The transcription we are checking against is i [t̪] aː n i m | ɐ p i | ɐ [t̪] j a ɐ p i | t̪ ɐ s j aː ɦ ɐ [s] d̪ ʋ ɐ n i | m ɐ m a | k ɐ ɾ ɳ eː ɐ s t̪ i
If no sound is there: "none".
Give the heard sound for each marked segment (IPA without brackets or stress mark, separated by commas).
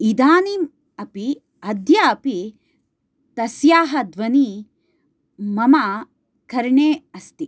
d̪, d̪, none